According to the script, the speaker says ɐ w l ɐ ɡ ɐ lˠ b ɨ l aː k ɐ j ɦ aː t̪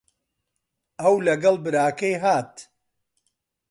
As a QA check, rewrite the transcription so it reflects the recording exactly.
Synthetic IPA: ɐ w l ɐ ɡ ɐ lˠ b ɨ ɾ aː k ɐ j ɦ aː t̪